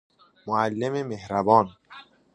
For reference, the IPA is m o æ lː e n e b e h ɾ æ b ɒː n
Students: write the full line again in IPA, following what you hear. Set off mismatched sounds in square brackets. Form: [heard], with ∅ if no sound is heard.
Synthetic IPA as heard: m o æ lː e [m] e [m] e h ɾ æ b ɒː n